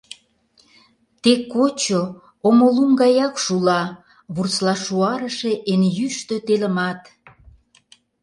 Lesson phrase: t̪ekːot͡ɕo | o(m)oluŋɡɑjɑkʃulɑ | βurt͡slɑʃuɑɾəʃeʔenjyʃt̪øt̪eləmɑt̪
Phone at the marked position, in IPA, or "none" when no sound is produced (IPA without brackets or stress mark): m